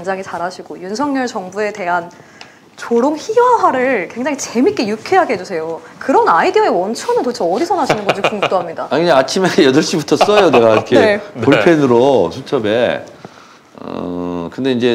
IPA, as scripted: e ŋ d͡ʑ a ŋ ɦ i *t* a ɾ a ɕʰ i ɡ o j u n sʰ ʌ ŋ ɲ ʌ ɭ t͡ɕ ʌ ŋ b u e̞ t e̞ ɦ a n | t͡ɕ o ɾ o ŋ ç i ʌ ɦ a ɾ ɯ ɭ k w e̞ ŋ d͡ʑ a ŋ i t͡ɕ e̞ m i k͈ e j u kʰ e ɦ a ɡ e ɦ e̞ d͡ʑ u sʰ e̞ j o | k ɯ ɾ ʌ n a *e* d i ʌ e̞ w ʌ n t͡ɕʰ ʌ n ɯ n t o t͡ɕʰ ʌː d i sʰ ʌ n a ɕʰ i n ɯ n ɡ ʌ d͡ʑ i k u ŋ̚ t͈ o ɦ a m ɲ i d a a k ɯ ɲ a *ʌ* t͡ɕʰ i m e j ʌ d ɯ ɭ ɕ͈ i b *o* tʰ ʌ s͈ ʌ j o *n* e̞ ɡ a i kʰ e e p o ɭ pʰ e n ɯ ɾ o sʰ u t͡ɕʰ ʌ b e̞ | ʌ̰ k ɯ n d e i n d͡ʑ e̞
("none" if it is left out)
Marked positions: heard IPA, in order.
t͡ɕ, i, a, u, n

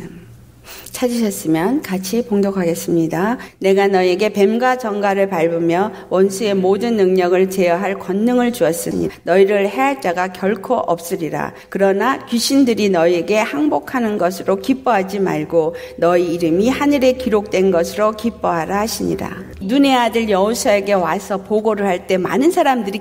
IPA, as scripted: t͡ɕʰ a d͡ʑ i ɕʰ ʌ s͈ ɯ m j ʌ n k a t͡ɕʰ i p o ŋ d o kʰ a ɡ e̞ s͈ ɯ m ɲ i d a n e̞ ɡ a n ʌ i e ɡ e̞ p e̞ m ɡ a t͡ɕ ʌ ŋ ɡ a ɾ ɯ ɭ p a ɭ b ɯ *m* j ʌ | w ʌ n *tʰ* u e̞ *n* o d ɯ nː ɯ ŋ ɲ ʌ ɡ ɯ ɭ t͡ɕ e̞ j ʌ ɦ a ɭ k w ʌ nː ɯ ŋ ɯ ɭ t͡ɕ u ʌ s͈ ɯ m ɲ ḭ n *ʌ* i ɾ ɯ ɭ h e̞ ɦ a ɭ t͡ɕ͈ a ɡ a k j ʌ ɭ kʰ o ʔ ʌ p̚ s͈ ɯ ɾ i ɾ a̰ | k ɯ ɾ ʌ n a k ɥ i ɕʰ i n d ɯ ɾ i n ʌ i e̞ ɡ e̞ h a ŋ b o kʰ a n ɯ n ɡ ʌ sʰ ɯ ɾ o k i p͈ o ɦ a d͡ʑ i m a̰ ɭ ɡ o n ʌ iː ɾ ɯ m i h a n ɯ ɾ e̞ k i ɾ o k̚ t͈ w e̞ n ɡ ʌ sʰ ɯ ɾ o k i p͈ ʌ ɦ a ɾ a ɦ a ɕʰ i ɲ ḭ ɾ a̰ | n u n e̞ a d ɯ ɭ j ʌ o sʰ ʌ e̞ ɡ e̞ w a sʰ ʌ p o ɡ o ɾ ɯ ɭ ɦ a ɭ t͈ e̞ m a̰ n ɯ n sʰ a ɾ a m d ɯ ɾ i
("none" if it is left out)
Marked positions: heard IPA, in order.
m, sʰ, m, ʌ

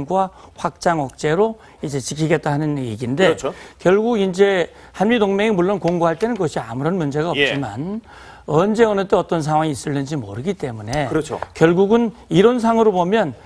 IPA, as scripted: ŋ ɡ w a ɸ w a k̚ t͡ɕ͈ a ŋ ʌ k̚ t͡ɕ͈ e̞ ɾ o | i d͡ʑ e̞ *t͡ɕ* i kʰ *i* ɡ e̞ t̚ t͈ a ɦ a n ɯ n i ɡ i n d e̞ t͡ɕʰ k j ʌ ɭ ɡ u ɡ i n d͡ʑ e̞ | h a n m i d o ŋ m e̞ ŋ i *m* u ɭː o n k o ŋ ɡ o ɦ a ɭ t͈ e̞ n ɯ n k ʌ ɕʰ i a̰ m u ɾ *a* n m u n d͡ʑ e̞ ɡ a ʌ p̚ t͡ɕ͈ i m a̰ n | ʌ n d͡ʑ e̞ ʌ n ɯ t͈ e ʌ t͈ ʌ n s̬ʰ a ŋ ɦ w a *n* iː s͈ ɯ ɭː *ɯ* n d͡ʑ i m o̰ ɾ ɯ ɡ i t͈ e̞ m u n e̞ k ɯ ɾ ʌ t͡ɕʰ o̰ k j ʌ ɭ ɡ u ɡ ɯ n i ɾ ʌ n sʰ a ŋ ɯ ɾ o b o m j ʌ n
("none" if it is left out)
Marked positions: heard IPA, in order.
t͡ɕ, i, m, ʌ, ŋ, ɯ

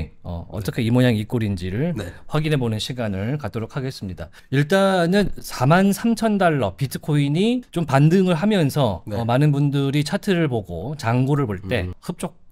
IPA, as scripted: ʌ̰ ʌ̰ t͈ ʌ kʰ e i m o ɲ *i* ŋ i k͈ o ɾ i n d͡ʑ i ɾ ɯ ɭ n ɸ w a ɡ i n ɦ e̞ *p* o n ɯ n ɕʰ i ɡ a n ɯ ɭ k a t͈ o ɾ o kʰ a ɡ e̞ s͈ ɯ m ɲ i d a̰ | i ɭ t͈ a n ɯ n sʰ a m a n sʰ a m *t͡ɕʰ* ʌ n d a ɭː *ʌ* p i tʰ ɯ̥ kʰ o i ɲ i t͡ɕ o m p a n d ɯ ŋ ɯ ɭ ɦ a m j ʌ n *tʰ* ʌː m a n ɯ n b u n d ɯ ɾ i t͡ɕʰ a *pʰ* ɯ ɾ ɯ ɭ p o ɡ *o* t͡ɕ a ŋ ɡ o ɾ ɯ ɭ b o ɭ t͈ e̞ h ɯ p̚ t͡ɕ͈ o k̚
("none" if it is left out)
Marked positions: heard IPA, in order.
a, b, t͡ɕʰ, ʌ, sʰ, tʰ, o

